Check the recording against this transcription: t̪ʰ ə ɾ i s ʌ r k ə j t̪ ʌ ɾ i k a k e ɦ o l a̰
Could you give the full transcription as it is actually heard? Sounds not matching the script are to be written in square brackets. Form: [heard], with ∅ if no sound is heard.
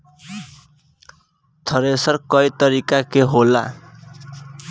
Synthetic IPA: t̪ʰ [ʌ] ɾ [e] s ʌ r k [ʌ] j t̪ ʌ ɾ i k a k e ɦ o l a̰